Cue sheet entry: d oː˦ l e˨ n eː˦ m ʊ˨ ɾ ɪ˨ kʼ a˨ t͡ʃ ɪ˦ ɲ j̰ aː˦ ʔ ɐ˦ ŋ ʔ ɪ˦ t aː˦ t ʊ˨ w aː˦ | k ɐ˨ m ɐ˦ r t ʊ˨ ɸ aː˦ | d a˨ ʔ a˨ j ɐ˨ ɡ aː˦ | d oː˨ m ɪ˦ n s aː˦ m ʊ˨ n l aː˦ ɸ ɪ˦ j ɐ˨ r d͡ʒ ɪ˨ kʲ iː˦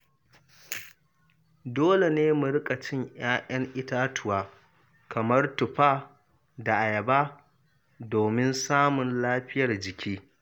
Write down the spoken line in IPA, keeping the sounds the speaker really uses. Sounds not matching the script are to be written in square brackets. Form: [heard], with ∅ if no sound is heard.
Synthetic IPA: d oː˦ l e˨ n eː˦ m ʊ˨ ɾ [ɪ˦] kʼ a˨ t͡ʃ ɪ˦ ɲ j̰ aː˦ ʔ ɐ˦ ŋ ʔ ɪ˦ t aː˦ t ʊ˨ w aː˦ | k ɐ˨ m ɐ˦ r t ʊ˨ ɸ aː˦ | d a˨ ʔ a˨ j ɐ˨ [b] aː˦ | d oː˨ m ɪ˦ n s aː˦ m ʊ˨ n l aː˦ ɸ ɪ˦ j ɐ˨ r d͡ʒ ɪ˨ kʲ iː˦

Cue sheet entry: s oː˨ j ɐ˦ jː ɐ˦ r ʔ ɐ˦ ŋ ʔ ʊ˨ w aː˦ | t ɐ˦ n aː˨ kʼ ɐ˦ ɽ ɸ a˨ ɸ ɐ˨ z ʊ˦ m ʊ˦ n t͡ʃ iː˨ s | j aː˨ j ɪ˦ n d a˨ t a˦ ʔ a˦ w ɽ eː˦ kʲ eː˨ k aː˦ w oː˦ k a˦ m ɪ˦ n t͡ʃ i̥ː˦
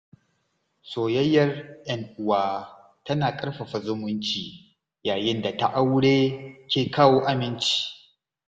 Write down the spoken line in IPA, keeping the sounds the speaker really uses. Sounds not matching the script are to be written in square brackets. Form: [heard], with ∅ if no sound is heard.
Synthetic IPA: s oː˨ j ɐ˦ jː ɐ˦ r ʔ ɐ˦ ŋ ʔ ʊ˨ w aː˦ | t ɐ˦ n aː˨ kʼ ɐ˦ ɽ ɸ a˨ ɸ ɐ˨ z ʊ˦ m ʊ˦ n t͡ʃ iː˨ [∅] | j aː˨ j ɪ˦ n d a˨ t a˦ ʔ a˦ w ɽ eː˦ kʲ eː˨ k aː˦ w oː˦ [ʔ] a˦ m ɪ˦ n t͡ʃ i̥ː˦

